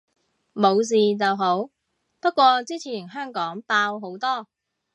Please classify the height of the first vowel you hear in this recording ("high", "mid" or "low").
mid